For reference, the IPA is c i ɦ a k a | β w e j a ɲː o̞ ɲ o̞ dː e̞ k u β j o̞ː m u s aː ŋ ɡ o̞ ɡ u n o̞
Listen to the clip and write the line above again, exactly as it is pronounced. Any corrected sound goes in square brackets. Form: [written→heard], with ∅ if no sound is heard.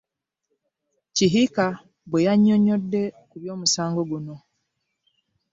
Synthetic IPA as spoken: c i ɦ [a→i] k a | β w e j a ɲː o̞ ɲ o̞ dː e̞ k u β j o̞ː m u s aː ŋ ɡ o̞ ɡ u n o̞